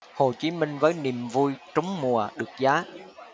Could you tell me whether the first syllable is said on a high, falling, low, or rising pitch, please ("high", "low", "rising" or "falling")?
low